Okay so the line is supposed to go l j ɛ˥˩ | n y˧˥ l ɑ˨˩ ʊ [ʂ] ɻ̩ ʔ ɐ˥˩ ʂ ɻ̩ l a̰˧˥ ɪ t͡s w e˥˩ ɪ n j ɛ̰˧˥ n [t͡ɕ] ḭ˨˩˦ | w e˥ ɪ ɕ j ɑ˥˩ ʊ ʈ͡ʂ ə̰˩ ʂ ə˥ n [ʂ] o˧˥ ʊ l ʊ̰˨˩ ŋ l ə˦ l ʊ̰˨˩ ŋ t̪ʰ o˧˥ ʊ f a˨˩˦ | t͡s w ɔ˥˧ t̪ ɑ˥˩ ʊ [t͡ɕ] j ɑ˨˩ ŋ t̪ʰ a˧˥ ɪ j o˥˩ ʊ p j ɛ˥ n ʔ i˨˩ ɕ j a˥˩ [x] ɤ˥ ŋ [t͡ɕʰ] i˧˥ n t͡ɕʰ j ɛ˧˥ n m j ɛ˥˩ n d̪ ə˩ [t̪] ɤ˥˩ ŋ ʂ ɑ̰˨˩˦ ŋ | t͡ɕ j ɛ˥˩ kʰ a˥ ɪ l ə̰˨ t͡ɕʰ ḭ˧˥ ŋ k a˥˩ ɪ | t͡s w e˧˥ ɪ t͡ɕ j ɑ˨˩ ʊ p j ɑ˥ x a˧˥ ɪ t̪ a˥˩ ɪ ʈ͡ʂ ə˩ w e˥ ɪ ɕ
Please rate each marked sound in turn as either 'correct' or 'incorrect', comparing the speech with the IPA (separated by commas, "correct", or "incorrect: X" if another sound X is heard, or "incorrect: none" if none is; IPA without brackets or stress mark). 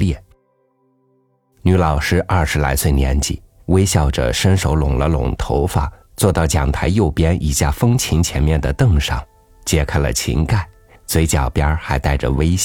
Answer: correct, correct, correct, correct, incorrect: f, correct, correct